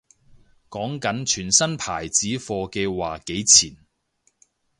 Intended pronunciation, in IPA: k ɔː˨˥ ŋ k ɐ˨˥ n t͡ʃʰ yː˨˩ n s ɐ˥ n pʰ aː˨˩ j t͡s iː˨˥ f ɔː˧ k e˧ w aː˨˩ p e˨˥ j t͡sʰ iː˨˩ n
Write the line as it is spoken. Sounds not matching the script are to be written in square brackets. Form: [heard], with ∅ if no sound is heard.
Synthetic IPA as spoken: k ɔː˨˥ ŋ k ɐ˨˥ n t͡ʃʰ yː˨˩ n s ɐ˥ n pʰ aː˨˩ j t͡s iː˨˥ f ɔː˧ k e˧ w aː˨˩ [k] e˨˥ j t͡sʰ iː˨˩ n